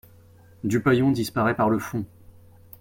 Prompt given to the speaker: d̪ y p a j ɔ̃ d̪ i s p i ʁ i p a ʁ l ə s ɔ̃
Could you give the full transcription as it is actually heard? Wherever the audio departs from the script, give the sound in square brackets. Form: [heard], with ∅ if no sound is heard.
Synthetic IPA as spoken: d̪ y p a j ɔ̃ d̪ i s p [a] ʁ [ɛ] p a ʁ l ə [f] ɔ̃